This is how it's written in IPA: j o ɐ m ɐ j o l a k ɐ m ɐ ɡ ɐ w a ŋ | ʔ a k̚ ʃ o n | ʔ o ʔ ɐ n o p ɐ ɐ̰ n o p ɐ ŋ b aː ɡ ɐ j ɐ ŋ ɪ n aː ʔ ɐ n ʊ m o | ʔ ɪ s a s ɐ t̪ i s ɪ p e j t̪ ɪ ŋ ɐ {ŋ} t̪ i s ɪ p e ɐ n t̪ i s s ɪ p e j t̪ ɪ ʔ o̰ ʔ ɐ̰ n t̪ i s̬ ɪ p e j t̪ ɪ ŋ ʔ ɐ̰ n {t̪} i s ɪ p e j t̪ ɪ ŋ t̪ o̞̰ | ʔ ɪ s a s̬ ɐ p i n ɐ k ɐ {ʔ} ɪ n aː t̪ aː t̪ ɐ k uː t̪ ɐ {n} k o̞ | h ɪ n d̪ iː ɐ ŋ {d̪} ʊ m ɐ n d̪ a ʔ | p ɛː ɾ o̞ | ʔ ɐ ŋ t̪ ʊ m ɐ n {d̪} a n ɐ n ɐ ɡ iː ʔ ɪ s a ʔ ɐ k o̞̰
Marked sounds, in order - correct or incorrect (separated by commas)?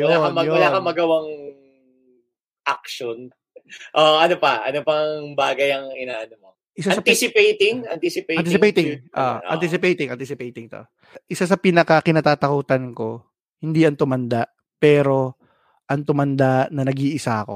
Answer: incorrect, correct, incorrect, correct, incorrect, correct